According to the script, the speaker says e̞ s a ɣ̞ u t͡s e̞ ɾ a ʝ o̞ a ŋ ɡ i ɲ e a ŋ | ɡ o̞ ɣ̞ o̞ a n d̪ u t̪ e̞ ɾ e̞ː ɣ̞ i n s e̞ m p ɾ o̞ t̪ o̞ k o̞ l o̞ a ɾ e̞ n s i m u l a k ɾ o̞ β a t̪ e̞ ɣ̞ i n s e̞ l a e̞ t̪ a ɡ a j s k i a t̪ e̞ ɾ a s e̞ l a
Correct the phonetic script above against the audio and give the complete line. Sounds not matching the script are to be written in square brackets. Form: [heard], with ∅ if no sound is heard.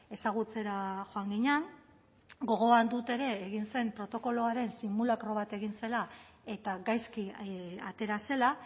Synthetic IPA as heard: e̞ s a ɣ̞ u t͡s e̞ ɾ a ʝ o̞ a ŋ ɡ i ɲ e a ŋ | ɡ o̞ ɣ̞ o̞ a n d̪ u t̪ e̞ ɾ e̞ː ɣ̞ i n s e̞ m p ɾ o̞ t̪ o̞ k o̞ l o̞ a ɾ e̞ n s i m u l a k ɾ o̞ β a t̪ e̞ ɣ̞ i n s e̞ l a e̞ t̪ a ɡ a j s k i a t̪ e̞ ɾ a s e̞ l a